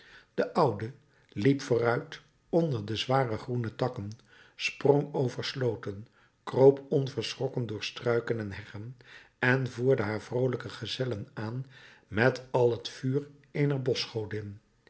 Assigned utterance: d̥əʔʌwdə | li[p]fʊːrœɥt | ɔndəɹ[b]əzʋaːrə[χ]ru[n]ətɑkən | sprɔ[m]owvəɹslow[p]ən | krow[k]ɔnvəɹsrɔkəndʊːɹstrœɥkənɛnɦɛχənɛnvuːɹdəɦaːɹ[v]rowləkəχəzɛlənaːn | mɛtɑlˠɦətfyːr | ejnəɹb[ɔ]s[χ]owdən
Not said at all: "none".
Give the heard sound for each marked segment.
p, d, χ, n, ŋ, t, p, v, ɔ, χ

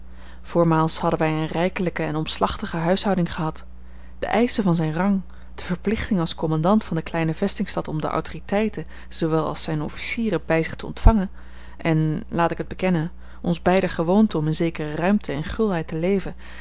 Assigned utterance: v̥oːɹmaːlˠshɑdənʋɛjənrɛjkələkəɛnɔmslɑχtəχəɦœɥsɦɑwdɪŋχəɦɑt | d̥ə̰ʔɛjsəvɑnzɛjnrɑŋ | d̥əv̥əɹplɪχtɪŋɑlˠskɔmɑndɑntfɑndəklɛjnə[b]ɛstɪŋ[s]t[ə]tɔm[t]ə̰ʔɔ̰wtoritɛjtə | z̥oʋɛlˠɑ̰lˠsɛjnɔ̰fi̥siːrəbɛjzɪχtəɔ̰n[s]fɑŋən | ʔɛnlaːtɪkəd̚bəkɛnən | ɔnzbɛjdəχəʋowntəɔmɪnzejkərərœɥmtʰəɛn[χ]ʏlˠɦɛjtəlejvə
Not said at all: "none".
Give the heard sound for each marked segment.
v, s, ɑ, d, t, χ

